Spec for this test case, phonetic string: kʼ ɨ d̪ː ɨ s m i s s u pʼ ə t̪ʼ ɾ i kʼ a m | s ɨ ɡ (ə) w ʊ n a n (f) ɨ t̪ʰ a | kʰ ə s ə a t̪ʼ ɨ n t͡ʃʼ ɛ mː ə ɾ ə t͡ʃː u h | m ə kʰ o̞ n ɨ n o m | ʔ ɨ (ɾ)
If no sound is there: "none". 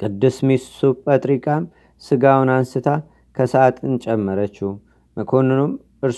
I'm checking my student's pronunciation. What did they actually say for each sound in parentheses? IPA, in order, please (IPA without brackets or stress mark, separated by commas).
a, s, ɾ